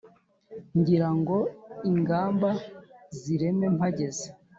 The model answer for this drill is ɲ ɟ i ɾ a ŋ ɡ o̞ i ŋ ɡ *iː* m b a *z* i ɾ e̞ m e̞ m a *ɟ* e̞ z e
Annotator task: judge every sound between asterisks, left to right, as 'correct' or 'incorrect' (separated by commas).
incorrect, correct, correct